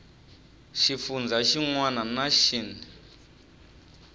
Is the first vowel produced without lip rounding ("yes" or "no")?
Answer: yes